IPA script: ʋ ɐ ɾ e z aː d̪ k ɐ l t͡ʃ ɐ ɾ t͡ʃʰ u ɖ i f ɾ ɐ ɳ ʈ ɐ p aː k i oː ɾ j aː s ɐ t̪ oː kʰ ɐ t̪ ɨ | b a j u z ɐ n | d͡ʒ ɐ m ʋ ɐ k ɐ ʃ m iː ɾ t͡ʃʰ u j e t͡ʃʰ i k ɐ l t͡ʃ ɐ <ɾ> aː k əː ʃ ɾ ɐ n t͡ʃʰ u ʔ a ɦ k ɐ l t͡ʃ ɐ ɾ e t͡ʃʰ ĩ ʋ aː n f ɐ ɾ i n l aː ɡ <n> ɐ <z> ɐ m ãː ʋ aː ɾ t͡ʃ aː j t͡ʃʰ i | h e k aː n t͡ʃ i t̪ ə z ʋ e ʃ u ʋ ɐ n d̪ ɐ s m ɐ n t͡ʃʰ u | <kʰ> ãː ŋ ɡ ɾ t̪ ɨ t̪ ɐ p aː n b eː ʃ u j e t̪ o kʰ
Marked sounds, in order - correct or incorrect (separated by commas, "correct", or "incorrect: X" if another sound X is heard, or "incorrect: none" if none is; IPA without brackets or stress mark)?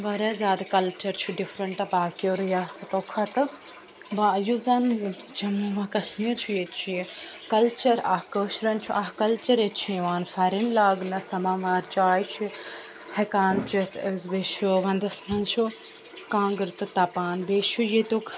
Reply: correct, correct, incorrect: s, incorrect: k